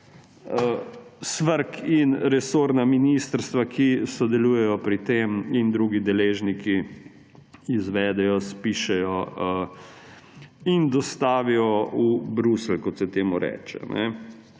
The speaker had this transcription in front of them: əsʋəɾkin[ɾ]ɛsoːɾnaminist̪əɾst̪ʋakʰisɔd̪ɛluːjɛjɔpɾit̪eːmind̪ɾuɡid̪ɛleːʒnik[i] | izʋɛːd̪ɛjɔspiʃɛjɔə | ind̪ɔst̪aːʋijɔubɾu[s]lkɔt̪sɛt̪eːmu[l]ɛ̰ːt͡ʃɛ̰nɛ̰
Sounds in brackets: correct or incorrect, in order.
correct, correct, correct, incorrect: ɾ

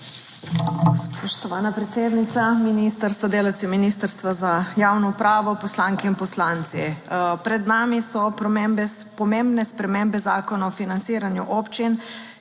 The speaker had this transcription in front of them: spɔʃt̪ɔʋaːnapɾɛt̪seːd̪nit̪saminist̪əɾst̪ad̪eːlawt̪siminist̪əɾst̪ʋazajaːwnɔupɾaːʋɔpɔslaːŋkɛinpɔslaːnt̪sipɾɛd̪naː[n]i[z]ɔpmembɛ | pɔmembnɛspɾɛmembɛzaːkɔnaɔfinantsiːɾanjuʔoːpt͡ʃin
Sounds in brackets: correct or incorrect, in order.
incorrect: m, incorrect: s

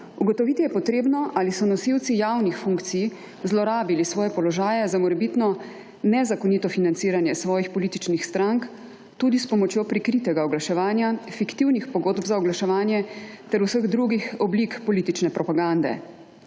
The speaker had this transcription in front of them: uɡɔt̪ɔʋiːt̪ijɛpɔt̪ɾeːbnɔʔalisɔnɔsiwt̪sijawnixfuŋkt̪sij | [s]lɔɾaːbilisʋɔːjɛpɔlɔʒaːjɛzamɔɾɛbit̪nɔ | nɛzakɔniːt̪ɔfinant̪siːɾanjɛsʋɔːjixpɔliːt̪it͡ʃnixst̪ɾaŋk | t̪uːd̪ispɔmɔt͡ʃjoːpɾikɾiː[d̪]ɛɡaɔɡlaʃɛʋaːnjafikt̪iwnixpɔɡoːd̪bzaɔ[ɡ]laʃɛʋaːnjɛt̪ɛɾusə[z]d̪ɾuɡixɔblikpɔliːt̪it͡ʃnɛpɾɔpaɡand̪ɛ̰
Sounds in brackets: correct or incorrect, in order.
incorrect: z, incorrect: t̪, correct, incorrect: ɣ

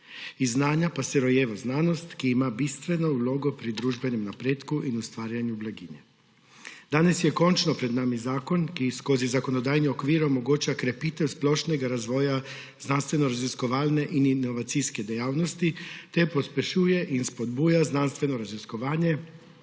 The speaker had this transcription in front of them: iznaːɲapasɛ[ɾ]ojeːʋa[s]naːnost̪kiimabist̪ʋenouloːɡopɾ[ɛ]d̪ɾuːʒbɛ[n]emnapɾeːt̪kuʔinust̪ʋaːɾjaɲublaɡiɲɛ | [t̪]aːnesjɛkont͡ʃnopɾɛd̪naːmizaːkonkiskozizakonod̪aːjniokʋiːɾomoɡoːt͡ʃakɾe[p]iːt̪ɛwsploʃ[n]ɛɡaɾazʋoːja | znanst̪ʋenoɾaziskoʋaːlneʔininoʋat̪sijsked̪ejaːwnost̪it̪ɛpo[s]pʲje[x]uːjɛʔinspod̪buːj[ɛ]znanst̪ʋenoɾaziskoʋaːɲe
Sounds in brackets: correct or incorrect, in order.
correct, incorrect: z, incorrect: i, correct, incorrect: d̪, correct, correct, correct, incorrect: ʃ, incorrect: a

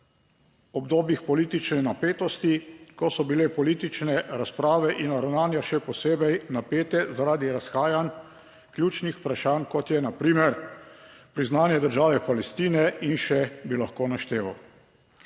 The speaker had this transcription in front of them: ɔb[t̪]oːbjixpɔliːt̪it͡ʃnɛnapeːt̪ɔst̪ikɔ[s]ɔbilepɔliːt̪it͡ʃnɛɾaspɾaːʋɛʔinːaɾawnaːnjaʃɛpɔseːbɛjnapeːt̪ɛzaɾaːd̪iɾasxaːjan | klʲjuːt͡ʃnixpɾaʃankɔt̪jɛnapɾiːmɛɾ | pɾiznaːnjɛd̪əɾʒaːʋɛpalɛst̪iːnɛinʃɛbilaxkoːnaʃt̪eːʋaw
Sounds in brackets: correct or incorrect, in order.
incorrect: d̪, correct

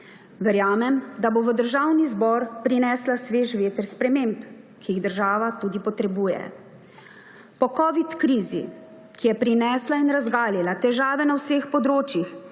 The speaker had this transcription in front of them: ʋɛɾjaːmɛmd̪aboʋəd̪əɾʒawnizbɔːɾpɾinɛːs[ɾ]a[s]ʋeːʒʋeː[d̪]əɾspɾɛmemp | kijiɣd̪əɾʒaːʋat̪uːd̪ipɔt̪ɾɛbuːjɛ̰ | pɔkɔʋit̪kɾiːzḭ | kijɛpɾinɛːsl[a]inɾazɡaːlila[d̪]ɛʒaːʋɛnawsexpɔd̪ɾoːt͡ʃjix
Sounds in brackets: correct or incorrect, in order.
incorrect: l, correct, incorrect: t̪, correct, incorrect: t̪

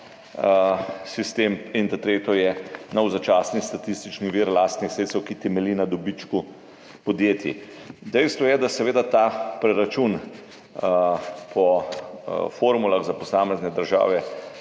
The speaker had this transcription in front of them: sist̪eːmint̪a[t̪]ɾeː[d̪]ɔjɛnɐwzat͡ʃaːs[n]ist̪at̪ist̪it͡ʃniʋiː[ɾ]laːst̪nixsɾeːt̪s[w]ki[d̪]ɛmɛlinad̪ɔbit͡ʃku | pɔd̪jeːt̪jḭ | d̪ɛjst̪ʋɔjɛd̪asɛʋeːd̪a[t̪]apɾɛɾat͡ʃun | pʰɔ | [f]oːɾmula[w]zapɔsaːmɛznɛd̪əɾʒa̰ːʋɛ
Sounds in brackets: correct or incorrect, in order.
correct, incorrect: t̪, correct, correct, correct, incorrect: t̪, correct, correct, incorrect: ɣ

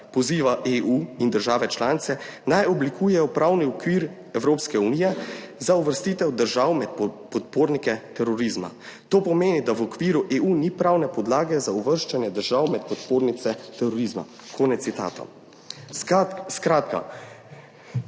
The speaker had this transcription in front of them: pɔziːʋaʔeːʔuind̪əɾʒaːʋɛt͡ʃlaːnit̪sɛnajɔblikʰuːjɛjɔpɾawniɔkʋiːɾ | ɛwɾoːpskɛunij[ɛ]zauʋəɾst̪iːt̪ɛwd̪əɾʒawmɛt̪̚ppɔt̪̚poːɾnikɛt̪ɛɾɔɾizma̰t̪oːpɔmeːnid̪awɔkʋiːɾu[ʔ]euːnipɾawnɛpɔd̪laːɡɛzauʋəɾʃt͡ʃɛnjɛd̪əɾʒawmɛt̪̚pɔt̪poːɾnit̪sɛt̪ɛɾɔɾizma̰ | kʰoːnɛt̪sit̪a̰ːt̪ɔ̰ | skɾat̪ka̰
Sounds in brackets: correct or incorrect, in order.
correct, correct

